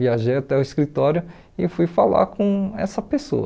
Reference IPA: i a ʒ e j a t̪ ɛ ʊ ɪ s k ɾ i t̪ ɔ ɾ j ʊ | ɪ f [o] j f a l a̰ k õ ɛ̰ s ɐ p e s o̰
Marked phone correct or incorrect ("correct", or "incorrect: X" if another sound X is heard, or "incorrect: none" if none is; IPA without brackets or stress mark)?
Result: incorrect: u